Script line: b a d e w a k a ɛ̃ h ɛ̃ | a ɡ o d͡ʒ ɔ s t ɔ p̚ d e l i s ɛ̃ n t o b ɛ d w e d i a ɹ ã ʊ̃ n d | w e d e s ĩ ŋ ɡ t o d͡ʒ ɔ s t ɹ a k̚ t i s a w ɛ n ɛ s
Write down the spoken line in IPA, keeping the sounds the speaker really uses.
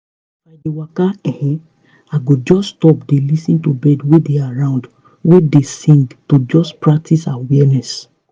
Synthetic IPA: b a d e w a k a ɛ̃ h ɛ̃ | a ɡ o d͡ʒ ɔ s t ɔ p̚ d e l i s ĩ n t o b ɛ d w e d e a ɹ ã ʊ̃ n d | w e d e s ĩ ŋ ɡ t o d͡ʒ ɔ s p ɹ a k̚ t i s a w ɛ n ɛ s